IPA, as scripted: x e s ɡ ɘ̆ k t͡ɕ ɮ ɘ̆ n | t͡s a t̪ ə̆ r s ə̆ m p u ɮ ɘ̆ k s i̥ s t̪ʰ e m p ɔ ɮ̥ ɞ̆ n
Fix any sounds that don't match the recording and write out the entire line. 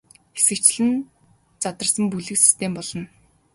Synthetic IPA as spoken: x e s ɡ ɘ̆ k t͡ɕ ɮ ɘ̆ n | t͡s a t̪ ə̆ r s ə̆ m p u ɮ ɘ̆ k s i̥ s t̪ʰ e m p ɔ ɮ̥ ɞ̆ n